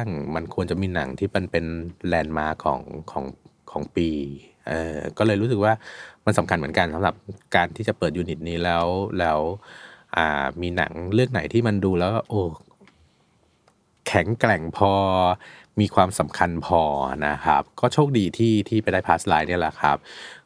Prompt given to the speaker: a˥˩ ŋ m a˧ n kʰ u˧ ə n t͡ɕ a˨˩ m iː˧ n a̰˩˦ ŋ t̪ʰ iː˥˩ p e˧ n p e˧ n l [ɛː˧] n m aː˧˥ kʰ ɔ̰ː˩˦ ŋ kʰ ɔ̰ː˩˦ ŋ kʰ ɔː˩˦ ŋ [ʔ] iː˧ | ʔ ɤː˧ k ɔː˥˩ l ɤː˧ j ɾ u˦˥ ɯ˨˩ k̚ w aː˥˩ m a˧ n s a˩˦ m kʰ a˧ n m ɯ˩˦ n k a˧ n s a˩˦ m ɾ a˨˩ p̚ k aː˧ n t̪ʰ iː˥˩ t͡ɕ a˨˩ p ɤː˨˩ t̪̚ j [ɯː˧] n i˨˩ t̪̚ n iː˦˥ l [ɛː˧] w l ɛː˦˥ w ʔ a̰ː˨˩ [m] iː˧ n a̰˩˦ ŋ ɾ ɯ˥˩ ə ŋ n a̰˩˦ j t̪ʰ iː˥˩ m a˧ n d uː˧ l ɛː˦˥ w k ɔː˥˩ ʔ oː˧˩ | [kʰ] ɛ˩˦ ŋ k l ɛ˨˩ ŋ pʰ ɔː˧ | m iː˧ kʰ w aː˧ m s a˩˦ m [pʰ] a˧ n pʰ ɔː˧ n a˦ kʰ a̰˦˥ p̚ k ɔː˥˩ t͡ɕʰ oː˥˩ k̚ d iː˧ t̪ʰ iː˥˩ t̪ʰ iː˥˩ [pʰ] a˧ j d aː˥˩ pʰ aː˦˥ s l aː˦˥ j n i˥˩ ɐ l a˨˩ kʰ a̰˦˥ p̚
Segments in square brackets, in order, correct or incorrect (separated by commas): correct, incorrect, incorrect, incorrect, correct, correct, incorrect, incorrect